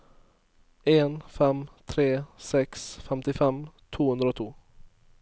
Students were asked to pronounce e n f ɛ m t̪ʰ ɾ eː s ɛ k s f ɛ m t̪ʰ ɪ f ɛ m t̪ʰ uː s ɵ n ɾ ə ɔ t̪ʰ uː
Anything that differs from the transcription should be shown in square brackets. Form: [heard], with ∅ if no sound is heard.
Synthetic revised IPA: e n f ɛ m t̪ʰ ɾ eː s ɛ k s f ɛ m [t̪] ɪ f ɛ m t̪ʰ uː [h] ɵ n ɾ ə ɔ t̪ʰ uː